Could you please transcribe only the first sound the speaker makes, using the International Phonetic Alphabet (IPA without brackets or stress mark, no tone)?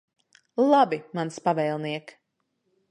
lˠ